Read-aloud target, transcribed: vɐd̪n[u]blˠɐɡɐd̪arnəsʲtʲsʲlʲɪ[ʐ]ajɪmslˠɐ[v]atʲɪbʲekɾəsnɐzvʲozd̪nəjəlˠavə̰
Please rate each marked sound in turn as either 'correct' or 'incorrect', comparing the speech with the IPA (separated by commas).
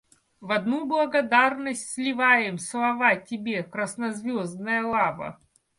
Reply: correct, incorrect, correct